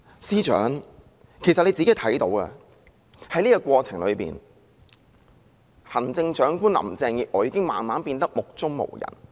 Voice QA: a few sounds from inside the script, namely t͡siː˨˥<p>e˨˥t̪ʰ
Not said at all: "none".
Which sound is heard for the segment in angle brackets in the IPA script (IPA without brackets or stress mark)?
k